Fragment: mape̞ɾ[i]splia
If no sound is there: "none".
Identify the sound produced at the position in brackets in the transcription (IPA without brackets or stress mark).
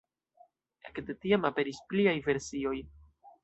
i